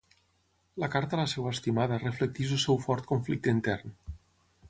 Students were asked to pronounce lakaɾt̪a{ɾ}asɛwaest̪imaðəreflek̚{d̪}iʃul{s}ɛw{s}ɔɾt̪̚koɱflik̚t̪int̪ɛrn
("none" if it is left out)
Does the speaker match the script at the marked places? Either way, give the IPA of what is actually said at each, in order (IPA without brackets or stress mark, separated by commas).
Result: l, t̪, s, f